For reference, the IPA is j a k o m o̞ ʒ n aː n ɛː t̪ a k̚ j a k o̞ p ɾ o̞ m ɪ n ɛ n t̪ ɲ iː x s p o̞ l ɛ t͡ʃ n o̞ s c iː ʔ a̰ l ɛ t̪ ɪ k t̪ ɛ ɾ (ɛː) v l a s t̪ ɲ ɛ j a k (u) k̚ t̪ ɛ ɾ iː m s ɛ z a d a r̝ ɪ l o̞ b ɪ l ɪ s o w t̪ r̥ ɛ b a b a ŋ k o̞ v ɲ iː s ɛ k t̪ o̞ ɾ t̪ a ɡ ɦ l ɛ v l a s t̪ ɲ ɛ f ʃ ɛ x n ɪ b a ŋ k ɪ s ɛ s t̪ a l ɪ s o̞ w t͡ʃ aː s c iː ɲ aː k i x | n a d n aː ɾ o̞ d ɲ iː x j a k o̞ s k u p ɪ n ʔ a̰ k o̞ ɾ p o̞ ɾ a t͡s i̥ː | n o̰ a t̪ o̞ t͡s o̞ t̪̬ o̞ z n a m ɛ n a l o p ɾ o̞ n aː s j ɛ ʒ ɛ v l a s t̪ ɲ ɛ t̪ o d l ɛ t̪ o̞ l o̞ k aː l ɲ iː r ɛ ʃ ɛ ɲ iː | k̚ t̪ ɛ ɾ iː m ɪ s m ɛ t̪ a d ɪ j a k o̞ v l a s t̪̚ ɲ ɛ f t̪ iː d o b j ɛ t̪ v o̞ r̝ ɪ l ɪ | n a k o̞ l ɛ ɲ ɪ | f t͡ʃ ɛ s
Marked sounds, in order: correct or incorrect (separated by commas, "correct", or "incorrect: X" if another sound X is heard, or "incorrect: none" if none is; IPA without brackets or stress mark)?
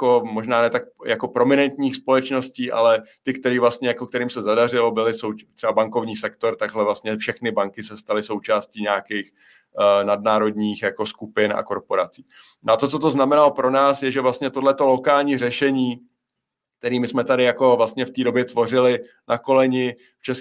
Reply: incorrect: iː, incorrect: o